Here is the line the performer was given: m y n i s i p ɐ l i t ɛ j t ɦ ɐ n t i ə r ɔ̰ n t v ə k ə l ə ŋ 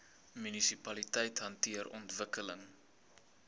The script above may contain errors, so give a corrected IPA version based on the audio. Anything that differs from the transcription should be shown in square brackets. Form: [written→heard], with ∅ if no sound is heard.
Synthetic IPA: m y n i s i p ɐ l i t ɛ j t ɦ ɐ n t i ə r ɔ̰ n t v ə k ə l ə ŋ